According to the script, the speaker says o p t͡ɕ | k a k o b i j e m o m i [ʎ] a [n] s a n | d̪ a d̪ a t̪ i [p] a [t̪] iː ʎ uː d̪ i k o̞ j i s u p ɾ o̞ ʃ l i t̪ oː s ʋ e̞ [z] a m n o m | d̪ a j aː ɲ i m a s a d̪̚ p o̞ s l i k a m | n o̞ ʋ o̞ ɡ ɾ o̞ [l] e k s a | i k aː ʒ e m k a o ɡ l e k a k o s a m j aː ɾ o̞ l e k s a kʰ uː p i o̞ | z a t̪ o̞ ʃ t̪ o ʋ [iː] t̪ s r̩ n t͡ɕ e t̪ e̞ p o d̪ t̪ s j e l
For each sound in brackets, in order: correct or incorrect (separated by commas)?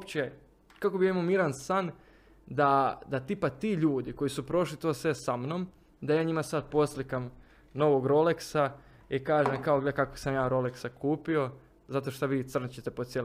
incorrect, correct, correct, correct, incorrect, correct, correct